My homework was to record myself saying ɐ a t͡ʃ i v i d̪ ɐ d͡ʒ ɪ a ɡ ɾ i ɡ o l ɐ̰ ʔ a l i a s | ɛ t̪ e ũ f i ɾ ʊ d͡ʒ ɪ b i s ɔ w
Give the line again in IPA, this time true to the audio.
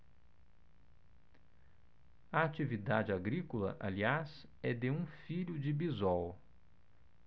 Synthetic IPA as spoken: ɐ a t͡ʃ i v i d̪ a d͡ʒ ɪ a ɡ ɾ i k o l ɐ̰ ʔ a l i a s | ɛ d̪ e ũ f i ʎ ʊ d͡ʒ ɪ b i z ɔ w